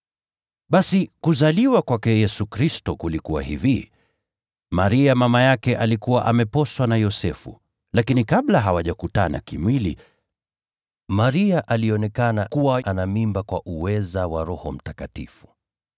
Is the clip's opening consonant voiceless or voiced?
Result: voiced